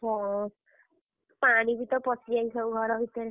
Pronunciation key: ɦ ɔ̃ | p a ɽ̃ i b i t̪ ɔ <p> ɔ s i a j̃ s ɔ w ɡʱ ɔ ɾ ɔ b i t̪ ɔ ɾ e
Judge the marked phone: correct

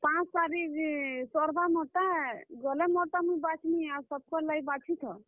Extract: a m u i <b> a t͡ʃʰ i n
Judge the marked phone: correct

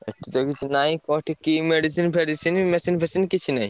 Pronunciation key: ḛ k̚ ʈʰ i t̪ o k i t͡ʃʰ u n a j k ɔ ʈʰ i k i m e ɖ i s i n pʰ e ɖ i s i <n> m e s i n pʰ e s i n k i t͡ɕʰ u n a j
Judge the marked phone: correct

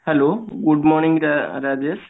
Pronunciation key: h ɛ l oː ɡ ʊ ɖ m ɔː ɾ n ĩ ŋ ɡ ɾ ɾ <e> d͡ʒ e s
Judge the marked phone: incorrect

